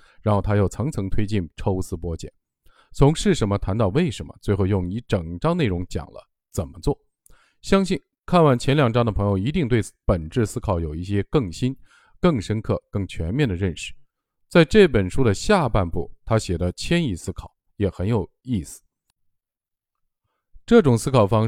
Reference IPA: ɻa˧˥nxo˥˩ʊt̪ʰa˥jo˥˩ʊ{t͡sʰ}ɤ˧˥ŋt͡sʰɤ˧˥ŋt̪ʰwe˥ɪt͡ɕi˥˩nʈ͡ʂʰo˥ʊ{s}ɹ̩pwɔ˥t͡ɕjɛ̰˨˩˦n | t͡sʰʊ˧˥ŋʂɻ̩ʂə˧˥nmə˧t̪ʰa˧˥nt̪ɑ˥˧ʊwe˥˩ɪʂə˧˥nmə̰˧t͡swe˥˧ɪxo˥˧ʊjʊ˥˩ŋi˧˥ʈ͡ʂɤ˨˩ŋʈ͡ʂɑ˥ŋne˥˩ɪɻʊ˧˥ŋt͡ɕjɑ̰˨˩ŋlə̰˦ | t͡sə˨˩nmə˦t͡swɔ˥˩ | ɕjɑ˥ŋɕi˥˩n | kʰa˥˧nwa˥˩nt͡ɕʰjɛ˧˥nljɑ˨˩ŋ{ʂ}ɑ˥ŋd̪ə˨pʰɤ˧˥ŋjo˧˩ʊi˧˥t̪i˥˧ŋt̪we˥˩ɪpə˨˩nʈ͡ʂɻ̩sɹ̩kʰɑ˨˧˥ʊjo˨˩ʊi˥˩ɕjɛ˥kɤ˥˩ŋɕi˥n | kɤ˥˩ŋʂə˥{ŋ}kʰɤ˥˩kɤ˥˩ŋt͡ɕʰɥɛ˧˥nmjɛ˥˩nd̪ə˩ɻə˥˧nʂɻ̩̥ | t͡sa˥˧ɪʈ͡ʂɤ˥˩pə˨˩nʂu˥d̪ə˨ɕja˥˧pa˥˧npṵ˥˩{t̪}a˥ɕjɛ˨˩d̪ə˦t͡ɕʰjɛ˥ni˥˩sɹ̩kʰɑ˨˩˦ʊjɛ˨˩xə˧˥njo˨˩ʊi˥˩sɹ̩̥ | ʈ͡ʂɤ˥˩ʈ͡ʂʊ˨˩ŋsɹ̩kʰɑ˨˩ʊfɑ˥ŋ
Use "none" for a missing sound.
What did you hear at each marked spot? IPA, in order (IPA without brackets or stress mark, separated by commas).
t͡sʰ, s, ʈ͡ʂ, n, t̪ʰ